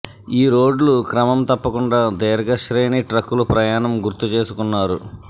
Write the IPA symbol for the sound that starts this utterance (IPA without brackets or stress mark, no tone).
iː